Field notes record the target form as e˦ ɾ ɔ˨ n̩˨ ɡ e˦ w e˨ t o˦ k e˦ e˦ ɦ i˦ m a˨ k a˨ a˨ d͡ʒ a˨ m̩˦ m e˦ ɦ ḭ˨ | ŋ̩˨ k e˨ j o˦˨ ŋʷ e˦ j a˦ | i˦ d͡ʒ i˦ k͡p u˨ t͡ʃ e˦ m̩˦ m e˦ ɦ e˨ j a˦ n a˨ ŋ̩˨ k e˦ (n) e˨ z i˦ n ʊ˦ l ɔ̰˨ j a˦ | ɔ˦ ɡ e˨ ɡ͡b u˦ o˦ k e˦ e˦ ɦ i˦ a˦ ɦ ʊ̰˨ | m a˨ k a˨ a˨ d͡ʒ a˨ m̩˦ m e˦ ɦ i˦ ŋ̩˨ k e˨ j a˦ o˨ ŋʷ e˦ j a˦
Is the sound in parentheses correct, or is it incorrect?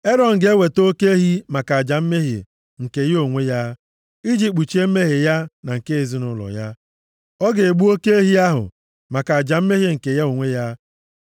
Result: incorrect